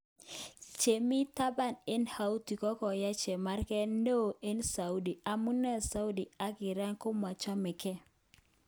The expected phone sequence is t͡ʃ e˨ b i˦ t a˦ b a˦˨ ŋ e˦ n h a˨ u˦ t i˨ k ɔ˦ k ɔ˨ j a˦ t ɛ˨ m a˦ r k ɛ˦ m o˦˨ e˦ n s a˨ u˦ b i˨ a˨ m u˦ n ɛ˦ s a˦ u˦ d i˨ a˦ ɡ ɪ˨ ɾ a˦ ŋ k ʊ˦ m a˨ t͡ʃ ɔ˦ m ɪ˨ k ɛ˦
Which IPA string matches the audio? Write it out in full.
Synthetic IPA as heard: t͡ʃ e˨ m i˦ t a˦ b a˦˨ n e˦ n h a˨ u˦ t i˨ k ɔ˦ k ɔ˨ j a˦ t͡ʃ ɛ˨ m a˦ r k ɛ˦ n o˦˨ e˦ n s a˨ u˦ d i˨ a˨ m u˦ n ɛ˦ s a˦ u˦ d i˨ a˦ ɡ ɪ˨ ɾ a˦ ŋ k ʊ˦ m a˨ t͡ʃ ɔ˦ m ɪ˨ k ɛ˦